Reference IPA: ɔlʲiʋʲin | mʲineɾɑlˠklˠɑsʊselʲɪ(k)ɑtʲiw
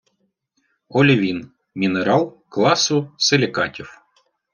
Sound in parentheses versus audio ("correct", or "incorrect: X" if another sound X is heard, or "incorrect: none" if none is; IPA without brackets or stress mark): correct